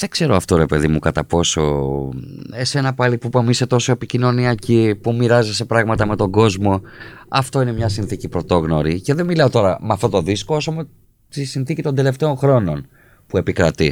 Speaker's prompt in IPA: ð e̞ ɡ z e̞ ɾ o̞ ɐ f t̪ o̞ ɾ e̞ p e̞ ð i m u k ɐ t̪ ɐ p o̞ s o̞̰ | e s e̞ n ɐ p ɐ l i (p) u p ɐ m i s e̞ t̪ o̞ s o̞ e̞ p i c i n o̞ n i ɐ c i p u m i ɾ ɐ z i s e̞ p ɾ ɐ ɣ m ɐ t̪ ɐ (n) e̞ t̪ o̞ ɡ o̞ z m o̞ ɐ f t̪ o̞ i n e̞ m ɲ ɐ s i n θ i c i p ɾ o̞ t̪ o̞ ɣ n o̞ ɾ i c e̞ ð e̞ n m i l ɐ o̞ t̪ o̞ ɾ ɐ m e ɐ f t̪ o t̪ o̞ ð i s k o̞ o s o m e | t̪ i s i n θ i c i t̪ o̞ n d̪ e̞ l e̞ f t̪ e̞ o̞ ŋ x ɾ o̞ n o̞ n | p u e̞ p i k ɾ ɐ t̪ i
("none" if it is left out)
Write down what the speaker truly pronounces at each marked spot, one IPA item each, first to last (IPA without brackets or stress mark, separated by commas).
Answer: p, m